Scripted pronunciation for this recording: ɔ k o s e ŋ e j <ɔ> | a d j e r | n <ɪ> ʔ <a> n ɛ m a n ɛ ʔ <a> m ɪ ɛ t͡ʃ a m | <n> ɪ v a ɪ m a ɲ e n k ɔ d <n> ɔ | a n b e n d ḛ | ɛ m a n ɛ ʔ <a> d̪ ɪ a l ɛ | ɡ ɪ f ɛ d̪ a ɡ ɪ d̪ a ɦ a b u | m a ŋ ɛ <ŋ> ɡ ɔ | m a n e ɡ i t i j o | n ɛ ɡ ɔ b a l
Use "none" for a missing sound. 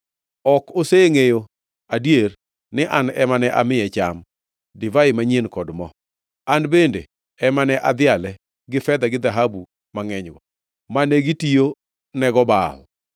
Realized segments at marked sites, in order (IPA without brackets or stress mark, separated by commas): o, ɪ, a, a, d, m, a, ɲ